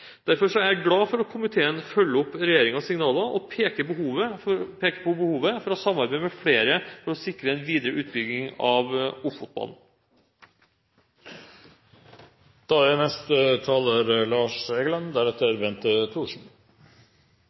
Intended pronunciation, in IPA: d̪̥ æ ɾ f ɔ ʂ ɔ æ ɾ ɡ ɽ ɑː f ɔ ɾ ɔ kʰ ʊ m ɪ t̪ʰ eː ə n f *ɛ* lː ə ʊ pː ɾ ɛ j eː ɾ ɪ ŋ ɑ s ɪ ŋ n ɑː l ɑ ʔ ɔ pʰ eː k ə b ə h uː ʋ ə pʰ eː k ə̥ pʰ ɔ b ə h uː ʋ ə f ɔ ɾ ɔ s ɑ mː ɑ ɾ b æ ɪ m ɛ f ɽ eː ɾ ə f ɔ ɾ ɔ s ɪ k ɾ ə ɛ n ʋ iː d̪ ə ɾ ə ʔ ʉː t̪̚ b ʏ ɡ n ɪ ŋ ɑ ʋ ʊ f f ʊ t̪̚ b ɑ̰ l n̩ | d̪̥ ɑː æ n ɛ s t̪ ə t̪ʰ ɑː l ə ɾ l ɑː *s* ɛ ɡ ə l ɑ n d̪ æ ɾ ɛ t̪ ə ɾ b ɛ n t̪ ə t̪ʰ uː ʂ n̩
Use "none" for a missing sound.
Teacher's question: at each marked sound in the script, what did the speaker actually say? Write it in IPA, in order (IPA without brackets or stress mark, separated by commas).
œ, ʂ